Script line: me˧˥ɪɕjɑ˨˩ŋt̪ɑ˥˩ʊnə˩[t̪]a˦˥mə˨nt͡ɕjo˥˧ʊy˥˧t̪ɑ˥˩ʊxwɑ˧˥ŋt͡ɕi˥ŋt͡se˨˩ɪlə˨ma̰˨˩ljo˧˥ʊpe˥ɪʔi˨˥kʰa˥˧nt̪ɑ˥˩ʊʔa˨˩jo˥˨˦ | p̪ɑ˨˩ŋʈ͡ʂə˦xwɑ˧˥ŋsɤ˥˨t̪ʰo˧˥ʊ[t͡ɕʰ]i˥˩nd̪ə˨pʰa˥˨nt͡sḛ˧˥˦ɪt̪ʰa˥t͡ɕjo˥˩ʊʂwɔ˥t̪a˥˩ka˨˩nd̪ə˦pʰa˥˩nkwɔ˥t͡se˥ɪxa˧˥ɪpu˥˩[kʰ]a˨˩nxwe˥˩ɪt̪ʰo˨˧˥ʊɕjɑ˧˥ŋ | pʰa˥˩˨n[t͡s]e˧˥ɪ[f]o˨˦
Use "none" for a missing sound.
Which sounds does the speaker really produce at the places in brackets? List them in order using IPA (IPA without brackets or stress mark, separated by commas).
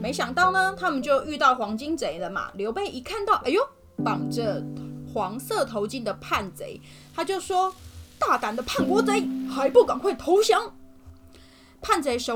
t̪ʰ, t͡ɕ, k, t͡s, ʂ